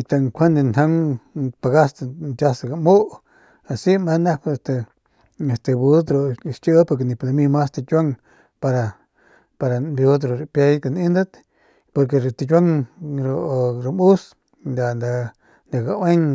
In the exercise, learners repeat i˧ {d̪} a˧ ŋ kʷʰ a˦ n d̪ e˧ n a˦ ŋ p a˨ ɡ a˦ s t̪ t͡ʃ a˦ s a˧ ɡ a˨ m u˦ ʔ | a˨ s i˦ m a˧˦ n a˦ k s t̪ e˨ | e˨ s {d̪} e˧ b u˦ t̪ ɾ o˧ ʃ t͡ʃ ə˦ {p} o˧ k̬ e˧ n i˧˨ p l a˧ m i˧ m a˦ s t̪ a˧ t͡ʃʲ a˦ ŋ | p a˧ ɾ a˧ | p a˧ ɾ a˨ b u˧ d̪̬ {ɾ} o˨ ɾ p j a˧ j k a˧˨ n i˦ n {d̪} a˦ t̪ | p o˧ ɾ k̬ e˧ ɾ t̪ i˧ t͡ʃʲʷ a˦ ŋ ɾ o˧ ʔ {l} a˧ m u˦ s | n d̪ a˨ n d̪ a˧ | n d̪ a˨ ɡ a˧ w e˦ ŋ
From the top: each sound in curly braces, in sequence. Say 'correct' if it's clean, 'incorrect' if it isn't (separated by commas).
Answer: incorrect, incorrect, correct, correct, correct, incorrect